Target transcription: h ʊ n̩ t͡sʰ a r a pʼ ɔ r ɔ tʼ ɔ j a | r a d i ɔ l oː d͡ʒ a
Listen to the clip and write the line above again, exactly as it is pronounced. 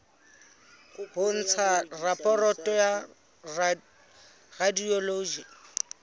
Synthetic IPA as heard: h ʊ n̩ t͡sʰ a r a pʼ ɔ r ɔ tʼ ɔ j a | r a d i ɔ l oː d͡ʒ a